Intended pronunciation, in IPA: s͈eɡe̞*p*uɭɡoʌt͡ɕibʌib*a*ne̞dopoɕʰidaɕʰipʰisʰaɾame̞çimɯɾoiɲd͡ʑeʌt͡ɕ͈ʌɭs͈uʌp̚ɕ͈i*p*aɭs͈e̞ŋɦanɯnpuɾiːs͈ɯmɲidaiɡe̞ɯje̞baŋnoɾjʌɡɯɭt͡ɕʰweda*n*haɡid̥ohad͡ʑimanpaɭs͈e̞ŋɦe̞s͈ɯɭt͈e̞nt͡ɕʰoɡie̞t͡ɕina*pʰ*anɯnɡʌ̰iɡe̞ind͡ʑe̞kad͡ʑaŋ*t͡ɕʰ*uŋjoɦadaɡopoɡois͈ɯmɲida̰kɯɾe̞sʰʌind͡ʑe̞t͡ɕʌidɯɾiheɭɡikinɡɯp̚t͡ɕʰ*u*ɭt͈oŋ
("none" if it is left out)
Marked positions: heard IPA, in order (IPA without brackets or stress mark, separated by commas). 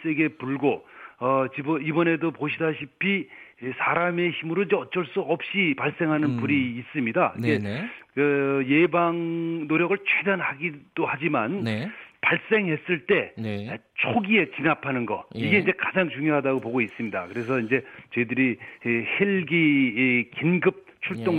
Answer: p, ʌ, p, n, pʰ, t͡ɕ, u